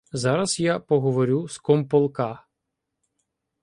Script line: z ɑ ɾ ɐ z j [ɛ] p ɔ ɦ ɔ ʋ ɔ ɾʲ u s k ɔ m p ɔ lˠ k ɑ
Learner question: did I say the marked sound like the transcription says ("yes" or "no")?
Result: no